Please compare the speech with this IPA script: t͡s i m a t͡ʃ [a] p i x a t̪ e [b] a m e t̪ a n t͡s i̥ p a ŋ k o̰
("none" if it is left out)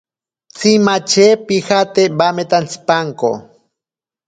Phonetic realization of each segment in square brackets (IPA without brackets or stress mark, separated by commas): e, b